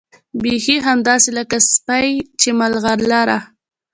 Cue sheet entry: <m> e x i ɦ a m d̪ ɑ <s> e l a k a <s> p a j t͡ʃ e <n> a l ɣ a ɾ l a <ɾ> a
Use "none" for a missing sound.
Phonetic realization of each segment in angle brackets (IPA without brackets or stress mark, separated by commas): b, s, s, m, ɾ